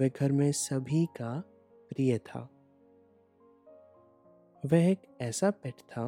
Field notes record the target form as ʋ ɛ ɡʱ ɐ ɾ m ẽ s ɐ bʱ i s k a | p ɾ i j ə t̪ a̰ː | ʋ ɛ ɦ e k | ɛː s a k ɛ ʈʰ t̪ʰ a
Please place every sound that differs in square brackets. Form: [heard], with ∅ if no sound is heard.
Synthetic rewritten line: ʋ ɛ ɡʱ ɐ ɾ m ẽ s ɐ bʱ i [∅] k a | p ɾ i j ə [t̪ʰ] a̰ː | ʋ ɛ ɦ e k | ɛː s a [p] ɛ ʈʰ t̪ʰ a